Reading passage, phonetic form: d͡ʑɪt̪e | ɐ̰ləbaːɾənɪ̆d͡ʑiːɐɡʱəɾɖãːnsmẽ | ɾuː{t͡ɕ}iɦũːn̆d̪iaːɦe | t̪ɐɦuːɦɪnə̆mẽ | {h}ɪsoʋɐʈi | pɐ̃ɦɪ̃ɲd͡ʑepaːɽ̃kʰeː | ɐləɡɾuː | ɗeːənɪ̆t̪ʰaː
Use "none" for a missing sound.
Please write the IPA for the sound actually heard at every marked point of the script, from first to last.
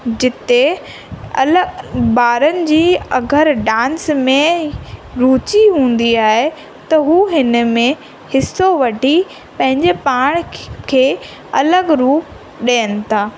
t͡ɕ, h

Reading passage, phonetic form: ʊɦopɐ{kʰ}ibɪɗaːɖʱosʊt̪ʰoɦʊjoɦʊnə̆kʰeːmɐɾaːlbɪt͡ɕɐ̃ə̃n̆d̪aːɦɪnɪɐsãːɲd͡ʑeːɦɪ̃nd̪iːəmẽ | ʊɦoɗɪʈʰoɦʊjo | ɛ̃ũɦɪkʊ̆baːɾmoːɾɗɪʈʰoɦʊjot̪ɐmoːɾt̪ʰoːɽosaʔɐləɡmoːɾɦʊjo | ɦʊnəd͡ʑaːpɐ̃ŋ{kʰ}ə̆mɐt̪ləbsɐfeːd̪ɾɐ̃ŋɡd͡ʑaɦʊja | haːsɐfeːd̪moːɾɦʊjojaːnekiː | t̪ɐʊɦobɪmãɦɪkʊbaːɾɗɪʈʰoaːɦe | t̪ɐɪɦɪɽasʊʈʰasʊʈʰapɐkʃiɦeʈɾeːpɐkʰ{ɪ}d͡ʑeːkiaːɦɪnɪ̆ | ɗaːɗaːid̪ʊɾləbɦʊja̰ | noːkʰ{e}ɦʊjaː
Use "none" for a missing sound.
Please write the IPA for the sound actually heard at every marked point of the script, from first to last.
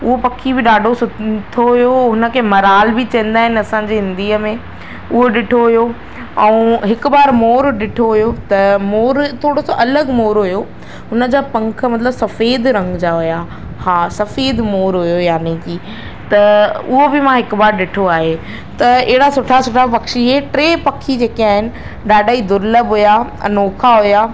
kʰ, kʰ, i, a

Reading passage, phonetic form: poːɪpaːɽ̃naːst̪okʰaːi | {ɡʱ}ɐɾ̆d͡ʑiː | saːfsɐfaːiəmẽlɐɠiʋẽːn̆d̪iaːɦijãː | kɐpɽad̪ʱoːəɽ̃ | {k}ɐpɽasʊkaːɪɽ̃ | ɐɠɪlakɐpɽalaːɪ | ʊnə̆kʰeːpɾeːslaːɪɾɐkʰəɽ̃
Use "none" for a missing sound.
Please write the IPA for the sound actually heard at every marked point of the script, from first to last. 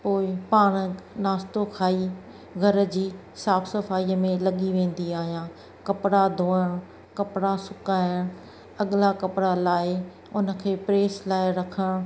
ɡʱ, k

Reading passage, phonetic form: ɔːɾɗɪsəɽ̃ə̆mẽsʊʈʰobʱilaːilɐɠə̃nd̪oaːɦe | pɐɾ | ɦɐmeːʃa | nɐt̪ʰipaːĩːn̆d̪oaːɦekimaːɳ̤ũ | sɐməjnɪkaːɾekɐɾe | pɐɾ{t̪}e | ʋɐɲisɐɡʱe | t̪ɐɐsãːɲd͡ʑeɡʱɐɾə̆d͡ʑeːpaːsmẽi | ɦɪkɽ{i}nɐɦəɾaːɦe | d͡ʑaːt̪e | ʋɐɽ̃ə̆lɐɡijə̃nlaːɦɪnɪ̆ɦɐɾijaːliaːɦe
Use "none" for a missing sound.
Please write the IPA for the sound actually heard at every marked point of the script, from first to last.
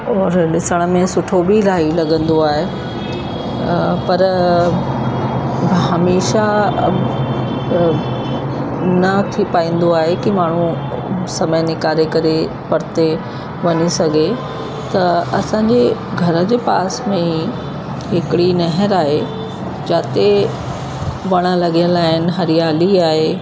t̪, i

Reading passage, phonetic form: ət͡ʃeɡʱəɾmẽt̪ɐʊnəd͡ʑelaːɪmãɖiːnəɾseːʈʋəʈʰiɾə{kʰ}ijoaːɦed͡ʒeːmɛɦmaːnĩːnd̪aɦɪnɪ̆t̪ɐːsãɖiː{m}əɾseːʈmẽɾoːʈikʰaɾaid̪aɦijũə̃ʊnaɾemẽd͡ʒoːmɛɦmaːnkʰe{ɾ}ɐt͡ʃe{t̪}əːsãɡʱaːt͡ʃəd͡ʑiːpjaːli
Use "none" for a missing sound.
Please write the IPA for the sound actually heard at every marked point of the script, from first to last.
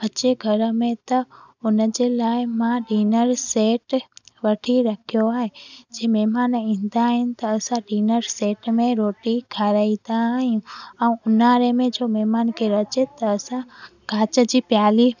kʰ, n, ɾ, t̪

